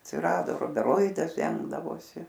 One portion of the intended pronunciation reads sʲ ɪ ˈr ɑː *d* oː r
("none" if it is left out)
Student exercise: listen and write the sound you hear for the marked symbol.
d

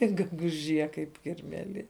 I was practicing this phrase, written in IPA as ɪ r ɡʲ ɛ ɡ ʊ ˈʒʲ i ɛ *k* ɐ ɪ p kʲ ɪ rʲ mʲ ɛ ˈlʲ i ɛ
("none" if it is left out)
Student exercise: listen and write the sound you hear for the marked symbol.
k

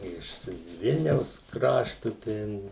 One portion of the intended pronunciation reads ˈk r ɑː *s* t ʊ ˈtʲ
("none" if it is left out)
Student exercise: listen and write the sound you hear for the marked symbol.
ʃ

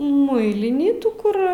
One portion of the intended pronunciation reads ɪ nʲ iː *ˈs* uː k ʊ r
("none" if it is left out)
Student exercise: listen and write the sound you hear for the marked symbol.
t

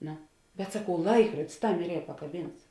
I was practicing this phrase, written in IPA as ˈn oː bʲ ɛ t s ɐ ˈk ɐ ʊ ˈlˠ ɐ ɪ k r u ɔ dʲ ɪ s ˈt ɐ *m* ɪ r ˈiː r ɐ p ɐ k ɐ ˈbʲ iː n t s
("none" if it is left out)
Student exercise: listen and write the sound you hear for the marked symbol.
m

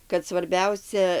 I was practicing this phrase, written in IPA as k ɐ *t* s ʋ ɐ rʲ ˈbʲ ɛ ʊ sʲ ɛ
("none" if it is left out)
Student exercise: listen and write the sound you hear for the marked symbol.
t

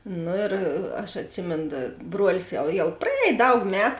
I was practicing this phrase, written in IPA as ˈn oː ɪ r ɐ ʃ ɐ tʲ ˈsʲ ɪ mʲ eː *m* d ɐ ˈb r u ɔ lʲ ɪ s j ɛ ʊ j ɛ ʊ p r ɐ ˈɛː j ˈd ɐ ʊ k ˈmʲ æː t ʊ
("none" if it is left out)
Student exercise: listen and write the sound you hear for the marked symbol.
n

